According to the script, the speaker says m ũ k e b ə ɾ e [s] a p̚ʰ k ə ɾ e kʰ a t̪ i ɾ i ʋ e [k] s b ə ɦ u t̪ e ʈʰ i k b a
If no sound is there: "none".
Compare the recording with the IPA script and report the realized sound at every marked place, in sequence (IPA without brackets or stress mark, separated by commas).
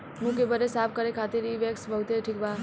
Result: s, k